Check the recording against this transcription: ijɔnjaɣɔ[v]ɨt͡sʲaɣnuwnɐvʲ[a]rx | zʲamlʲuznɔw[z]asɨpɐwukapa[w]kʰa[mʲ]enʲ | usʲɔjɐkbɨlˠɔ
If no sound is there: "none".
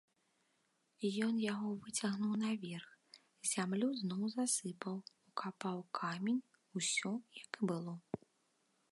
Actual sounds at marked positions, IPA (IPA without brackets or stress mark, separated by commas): v, ɛ, z, w, mʲ